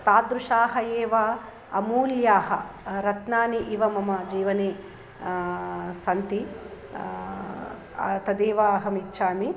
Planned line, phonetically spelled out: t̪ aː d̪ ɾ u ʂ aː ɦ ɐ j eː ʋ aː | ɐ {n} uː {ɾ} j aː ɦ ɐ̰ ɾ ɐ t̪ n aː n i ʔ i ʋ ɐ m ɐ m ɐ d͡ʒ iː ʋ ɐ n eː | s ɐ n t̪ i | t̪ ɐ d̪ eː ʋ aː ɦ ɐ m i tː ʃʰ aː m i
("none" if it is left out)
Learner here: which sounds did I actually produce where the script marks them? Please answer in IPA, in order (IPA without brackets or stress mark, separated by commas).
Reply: m, l